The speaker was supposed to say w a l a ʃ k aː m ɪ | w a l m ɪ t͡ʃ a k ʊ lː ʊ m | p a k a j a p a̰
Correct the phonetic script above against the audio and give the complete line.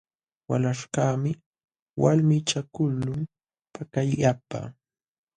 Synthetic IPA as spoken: w a l a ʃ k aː m ɪ | w a l m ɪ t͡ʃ a k ʊ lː ʊ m | p a k a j a p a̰